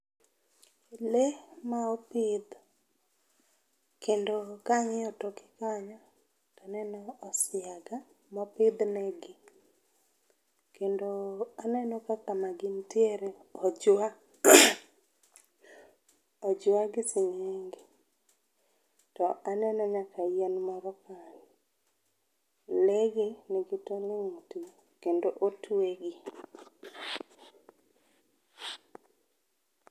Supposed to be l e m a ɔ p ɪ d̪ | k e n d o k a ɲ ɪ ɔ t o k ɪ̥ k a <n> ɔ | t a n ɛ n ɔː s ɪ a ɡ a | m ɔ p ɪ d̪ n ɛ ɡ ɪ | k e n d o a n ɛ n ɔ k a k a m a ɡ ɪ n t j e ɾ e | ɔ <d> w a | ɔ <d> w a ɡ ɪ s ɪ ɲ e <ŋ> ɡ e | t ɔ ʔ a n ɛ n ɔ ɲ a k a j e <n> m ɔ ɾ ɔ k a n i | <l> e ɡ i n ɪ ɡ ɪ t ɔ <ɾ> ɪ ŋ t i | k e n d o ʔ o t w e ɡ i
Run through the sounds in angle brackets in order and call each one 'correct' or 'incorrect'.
incorrect: ɲ, incorrect: d͡ʒ, incorrect: d͡ʒ, correct, correct, correct, incorrect: l

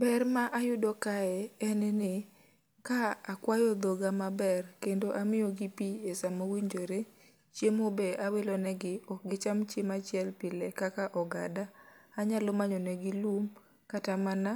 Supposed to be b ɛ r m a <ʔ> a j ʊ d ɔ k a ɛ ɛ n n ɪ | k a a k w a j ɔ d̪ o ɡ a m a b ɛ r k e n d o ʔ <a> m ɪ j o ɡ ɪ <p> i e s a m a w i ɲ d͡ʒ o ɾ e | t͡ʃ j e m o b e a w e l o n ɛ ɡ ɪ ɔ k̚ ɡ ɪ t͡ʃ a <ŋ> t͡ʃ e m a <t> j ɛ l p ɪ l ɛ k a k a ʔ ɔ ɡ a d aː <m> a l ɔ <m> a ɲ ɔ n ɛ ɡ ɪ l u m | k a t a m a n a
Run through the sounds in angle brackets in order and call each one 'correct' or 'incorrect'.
correct, correct, correct, incorrect: m, incorrect: t͡ʃ, incorrect: ɲ, correct

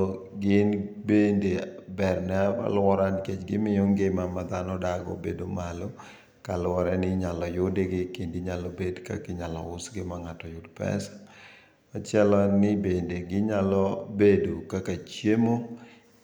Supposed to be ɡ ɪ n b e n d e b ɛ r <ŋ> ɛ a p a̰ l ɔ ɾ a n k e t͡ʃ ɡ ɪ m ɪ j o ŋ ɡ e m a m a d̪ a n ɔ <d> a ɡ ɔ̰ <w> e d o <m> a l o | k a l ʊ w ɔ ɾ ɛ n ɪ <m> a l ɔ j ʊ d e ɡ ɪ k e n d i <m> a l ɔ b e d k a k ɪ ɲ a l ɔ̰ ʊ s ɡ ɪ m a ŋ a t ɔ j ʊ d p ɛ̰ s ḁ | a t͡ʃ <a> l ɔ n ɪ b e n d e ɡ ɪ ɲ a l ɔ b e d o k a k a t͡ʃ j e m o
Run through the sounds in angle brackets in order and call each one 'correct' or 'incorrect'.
incorrect: n, correct, incorrect: b, correct, incorrect: ɲ, incorrect: ɲ, incorrect: ɛ

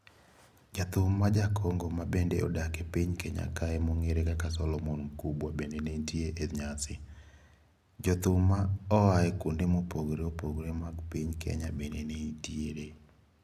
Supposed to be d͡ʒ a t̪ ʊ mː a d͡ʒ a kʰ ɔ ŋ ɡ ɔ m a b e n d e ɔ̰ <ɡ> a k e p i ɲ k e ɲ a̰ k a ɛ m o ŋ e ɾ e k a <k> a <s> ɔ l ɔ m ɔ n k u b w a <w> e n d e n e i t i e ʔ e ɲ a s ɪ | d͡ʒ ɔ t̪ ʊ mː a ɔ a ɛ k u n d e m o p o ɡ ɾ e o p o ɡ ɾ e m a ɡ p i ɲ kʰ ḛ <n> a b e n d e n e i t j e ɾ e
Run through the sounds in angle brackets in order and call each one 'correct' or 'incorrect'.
incorrect: d, correct, correct, incorrect: b, incorrect: ɲ

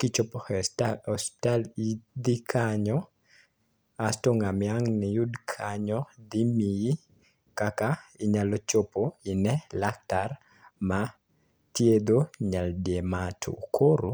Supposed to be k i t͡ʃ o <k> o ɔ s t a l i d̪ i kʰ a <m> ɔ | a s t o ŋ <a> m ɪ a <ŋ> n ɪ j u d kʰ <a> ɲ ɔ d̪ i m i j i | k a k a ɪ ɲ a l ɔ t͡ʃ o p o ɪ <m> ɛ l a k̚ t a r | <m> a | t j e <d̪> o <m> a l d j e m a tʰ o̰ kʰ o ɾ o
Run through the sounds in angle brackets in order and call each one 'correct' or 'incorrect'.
incorrect: p, incorrect: ɲ, correct, correct, correct, incorrect: n, correct, correct, incorrect: ɲ

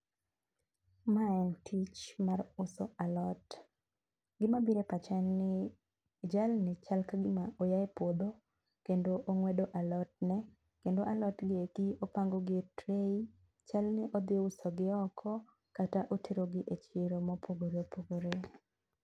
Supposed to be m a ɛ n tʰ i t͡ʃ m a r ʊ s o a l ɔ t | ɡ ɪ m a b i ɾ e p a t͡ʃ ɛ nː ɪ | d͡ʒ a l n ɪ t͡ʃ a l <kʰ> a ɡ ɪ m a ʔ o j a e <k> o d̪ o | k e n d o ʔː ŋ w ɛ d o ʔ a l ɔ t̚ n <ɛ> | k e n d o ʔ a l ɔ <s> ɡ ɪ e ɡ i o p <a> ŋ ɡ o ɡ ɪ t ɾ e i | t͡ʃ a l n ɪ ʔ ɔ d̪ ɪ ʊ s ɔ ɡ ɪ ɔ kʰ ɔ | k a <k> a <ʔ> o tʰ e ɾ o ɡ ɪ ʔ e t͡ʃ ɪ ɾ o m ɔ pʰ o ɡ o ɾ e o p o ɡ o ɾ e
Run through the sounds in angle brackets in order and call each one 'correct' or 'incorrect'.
incorrect: k, incorrect: p, correct, incorrect: t, correct, incorrect: t, correct

